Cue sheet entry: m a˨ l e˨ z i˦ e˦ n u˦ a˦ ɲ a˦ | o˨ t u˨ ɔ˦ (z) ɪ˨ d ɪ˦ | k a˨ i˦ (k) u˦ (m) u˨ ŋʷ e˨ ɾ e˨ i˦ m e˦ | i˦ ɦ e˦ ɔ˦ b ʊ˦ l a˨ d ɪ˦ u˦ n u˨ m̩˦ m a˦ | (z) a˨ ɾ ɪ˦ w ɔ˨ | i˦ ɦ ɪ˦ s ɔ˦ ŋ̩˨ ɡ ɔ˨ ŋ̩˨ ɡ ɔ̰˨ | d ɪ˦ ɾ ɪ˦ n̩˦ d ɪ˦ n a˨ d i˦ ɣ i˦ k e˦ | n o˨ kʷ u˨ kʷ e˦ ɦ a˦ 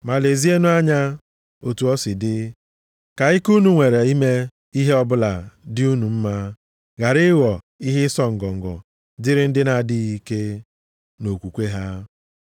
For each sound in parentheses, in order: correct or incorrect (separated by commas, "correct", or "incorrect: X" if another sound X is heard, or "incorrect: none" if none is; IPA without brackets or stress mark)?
incorrect: s, correct, incorrect: n, incorrect: ɣ